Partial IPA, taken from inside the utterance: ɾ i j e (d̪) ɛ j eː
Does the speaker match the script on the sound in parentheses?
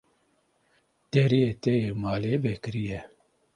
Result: no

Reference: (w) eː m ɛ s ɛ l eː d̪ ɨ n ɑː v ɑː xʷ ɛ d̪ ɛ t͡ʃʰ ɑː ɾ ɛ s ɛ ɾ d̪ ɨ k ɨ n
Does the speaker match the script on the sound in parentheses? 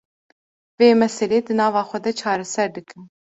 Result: no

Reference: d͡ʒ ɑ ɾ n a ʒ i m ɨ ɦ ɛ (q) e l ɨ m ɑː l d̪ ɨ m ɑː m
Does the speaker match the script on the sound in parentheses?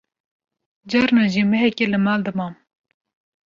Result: no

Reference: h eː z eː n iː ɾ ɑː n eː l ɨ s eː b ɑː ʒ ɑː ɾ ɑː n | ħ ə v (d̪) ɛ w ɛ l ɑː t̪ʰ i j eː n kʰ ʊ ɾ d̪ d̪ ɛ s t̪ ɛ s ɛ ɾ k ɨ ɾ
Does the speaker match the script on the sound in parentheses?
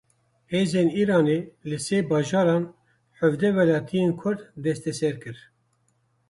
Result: yes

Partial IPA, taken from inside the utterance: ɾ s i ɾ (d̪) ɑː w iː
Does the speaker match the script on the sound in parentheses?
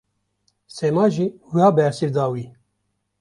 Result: yes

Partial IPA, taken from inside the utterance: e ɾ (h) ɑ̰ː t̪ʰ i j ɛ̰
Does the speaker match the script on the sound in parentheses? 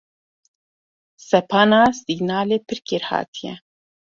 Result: yes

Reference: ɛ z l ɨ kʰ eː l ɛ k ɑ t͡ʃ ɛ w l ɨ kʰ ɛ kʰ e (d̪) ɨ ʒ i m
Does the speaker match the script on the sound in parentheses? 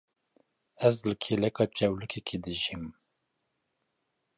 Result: yes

